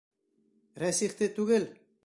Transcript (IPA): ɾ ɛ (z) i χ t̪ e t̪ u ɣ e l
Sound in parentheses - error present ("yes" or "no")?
yes